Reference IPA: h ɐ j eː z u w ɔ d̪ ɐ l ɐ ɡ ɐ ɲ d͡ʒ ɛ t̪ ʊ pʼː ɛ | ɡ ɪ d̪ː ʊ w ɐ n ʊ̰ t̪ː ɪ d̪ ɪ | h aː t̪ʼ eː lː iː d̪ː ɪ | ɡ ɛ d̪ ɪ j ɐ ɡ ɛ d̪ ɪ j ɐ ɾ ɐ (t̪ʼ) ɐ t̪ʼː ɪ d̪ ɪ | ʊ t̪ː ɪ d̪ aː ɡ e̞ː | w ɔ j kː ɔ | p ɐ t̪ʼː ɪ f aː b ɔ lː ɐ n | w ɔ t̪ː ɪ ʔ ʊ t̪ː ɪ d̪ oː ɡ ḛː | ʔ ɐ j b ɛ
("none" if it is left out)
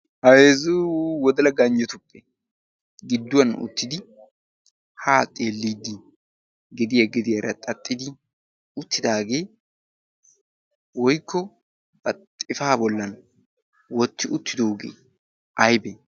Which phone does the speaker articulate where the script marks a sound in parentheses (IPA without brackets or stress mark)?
t̪ʼ